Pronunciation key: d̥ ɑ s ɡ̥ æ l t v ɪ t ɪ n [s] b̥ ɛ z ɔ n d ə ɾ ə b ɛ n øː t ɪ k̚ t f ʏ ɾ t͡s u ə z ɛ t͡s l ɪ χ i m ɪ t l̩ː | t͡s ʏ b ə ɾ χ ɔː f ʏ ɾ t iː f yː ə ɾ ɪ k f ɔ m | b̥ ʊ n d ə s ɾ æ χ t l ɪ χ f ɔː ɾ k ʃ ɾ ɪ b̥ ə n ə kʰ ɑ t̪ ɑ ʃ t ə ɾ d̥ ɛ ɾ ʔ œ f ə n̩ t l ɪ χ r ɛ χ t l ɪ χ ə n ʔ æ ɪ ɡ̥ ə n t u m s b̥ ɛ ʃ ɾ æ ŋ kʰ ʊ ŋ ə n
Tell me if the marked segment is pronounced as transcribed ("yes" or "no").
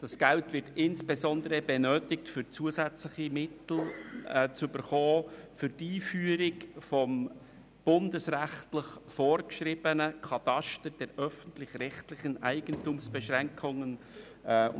yes